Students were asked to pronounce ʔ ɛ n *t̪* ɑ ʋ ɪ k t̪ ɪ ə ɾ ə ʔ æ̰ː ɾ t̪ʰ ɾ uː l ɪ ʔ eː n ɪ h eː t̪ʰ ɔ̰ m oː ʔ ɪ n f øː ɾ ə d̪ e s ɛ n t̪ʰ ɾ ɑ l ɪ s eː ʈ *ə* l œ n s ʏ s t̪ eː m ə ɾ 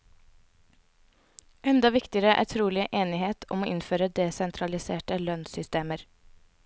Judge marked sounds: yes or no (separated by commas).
no, yes